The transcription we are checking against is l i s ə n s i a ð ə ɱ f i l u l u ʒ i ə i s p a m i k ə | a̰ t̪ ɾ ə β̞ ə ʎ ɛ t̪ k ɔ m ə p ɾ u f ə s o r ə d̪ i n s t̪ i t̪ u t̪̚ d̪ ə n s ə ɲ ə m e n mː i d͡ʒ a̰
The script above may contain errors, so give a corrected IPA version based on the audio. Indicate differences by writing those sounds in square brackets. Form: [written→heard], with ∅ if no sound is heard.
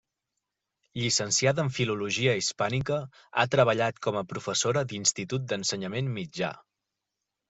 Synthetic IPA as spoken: [l→ʎ] i s ə n s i a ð ə ɱ f i l u l u ʒ i ə i s p a [m→n] i k ə | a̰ t̪ ɾ ə β̞ ə ʎ [ɛ→a] t̪ k ɔ m ə p ɾ u f ə s o [r→ɾ] ə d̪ i n s t̪ i t̪ u t̪̚ d̪ ə n s ə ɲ ə m e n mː i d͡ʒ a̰

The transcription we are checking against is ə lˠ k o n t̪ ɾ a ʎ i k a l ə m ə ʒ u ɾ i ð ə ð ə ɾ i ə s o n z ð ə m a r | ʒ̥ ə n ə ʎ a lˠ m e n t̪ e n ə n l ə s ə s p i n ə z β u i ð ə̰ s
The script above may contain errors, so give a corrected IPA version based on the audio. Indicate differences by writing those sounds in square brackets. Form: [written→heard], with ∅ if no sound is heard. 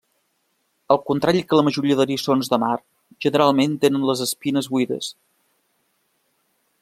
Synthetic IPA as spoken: ə lˠ k [o→u] n t̪ ɾ a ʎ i k [a→ə] l ə m ə ʒ u ɾ i [ð→∅] ə ð ə ɾ i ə s o n z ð ə m a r | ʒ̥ ə n ə [ʎ→ɾ] a lˠ m e n t̪ e n ə n l ə [s→z] ə s p i n ə z β u i ð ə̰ s

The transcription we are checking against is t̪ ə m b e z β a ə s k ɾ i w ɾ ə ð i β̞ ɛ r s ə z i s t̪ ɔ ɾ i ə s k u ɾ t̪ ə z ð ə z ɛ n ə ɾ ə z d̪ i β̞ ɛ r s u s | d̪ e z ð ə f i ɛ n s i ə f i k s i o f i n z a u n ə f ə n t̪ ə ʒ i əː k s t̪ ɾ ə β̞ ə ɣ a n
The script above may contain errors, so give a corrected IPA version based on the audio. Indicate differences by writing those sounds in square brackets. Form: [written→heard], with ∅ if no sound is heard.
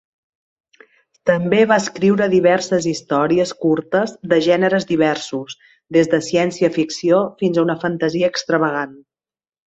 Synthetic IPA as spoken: t̪ ə m b e [z→∅] β a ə s k ɾ i w ɾ ə ð i β̞ ɛ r s ə z i s t̪ ɔ ɾ i ə s k u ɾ t̪ ə z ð ə [z→ʒ] ɛ n ə ɾ ə z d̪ i β̞ ɛ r s u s | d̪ e z ð ə [f→s] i ɛ n s i ə f i k s i o f i n z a u n ə f ə n t̪ ə [ʒ→z] i əː k s t̪ ɾ ə β̞ ə ɣ a n

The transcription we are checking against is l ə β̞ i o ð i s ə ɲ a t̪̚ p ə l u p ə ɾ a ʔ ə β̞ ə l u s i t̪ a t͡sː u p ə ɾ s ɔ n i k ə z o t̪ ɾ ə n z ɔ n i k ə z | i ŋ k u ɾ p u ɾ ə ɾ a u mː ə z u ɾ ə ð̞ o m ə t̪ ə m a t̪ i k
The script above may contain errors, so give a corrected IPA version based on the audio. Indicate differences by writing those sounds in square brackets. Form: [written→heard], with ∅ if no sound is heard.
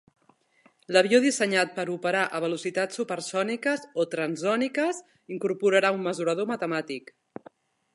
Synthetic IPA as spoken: l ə β̞ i o ð i s ə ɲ a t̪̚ p ə [l→ɾ] u p ə ɾ a ʔ ə β̞ ə l u s i t̪ a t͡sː u p ə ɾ s ɔ n i k ə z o t̪ ɾ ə n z ɔ n i k ə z | i ŋ k u ɾ p u ɾ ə ɾ a u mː ə z u ɾ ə ð̞ o m ə t̪ ə m a t̪ i k

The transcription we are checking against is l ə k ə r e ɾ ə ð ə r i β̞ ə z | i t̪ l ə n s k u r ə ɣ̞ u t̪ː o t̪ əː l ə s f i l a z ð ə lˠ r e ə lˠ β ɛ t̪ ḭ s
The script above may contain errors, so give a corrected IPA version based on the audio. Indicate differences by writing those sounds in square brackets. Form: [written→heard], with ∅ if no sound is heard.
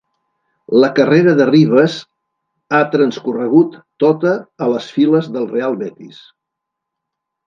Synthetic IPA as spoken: l ə k ə r e ɾ ə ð ə r i β̞ ə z | [i→a] t̪ [l→ɾ] ə n s k u r ə ɣ̞ u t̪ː o t̪ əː l ə s f i l [a→ə] z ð ə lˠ r e [ə→a] lˠ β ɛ t̪ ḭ s

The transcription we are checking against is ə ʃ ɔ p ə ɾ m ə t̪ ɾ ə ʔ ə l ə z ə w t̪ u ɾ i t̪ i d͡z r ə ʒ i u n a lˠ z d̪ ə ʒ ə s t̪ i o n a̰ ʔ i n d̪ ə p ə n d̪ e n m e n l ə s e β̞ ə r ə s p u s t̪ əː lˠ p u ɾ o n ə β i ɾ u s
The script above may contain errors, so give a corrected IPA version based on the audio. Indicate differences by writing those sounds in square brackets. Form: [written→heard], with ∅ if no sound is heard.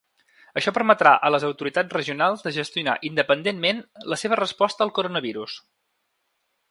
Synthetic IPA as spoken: ə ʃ ɔ p ə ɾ m ə t̪ ɾ [ə→a] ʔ ə l ə z ə w t̪ u ɾ i t̪ [i→a] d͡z r ə ʒ i u n a lˠ z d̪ ə ʒ ə s t̪ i [o→u] n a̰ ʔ i n d̪ ə p ə n d̪ e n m e n l ə s e β̞ ə r ə s p [u→ɔ] s t̪ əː lˠ [p→k] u ɾ o n ə β i ɾ u s

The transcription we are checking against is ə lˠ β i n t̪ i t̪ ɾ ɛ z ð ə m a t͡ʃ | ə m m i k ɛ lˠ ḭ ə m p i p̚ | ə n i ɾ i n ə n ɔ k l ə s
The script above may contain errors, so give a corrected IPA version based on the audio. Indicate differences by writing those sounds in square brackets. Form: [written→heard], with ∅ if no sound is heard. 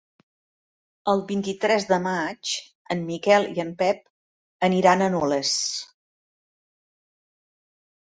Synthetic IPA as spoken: ə lˠ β i n t̪ i t̪ ɾ ɛ z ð ə m a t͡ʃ | ə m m i k ɛ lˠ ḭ ə m p [i→ɛ] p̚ | ə n i ɾ [i→a] n ə n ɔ [k→∅] l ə s

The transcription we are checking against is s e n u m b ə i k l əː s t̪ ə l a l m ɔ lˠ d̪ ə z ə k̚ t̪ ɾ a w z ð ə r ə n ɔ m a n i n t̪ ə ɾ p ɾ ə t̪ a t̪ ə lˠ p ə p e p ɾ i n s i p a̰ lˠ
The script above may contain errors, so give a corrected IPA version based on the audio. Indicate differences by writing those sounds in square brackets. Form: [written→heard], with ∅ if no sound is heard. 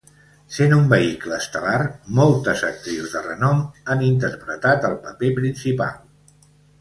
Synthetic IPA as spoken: s e n u m b ə i k l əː s t̪ ə l a [l→r] m ɔ lˠ [d̪→t̪] ə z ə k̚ t̪ ɾ [a→i] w z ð ə r ə n ɔ m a n i n t̪ ə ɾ p ɾ ə t̪ a t̪ ə lˠ p ə p e p ɾ i n s i p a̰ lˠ

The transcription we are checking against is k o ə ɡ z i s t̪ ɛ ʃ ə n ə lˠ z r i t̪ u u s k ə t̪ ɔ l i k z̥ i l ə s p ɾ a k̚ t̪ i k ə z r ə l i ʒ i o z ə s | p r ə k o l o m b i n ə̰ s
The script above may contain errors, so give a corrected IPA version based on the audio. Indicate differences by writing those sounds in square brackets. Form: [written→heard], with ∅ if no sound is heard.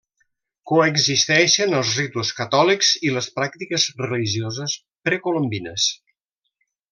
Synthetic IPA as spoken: k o ə ɡ z i s t̪ ɛ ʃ ə n ə lˠ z r i t̪ u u s k ə t̪ ɔ l i k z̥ i l ə s p ɾ a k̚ t̪ i k ə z r ə l i ʒ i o z ə s | p [r→ɾ] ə k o l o m b i n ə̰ s

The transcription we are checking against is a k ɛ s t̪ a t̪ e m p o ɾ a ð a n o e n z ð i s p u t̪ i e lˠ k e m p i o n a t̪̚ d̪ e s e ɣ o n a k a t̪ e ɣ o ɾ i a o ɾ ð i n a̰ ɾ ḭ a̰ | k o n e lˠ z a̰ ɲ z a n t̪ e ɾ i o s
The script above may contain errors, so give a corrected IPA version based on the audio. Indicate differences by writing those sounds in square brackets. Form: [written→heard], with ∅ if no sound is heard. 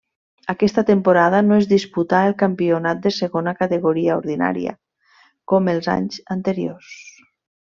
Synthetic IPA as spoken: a k ɛ s t̪ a t̪ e m p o ɾ a ð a n o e [n→∅] z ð i s p u t̪ [i→a] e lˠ k [e→a] m p i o n a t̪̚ d̪ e s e ɣ o n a k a t̪ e ɣ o ɾ i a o ɾ ð i n a̰ ɾ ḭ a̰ | k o [n→m] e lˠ z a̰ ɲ z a n t̪ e ɾ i o s

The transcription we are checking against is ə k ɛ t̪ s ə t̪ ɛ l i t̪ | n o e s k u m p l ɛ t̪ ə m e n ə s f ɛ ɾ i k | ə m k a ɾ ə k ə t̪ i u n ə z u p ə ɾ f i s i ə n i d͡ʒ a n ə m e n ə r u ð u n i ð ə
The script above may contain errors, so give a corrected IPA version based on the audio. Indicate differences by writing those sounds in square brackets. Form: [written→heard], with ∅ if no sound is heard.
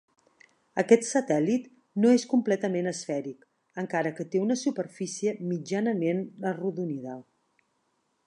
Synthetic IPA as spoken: ə k ɛ t̪ s ə t̪ ɛ l i t̪ | n o e s k u m p l ɛ t̪ ə m e n ə s f ɛ ɾ i k | ə [m→ŋ] k a ɾ ə k ə t̪ [i→e] u n ə [z→s] u p ə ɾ f i s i ə [n→m] i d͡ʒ a n ə m e n ə r u ð u n i ð ə

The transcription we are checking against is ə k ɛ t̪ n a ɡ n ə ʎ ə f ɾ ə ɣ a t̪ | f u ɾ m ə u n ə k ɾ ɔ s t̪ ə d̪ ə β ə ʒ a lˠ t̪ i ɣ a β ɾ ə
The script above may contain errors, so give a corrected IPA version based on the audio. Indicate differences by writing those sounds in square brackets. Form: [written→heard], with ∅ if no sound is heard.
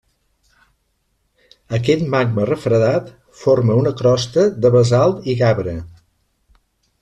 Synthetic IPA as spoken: ə k ɛ t̪ [n→m] a ɡ [n→m] ə [ʎ→r] ə f ɾ ə [ɣ→ð] a t̪ | f [u→o] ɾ m ə u n ə k ɾ ɔ s t̪ ə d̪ ə β ə [ʒ→z] a lˠ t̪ i ɣ a β ɾ ə

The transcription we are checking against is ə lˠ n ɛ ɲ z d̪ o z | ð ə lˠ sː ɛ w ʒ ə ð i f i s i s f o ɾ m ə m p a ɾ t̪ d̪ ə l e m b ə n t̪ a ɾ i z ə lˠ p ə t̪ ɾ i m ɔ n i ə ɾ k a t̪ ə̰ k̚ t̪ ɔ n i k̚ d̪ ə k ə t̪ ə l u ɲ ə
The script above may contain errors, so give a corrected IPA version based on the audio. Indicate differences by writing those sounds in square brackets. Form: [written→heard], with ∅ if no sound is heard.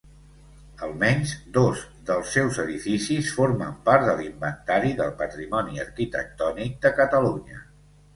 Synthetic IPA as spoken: ə lˠ [n→m] ɛ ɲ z d̪ o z | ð ə lˠ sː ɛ w [ʒ→z] ə ð i f i s i s f o ɾ m ə m p a ɾ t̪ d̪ ə l [e→i] m b ə n t̪ a ɾ i [z→ð] ə lˠ p ə t̪ ɾ i m ɔ n i ə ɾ k [a→i] t̪ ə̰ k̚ t̪ ɔ n i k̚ d̪ ə k ə t̪ ə l u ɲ ə

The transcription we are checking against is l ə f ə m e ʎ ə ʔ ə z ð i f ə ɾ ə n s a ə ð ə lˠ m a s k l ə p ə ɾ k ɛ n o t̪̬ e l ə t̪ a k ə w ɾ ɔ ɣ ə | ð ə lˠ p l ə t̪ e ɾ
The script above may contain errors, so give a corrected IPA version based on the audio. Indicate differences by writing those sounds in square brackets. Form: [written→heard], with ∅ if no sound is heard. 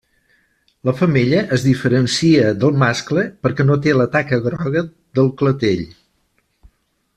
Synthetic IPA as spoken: l ə f ə m e ʎ ə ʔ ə z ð i f ə ɾ ə n s [a→i] ə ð ə lˠ m a s k l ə p ə ɾ k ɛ n o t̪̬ e l ə t̪ a k ə [w→ɣ] ɾ ɔ ɣ ə | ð ə lˠ [p→k] l ə t̪ e [ɾ→ʎ]

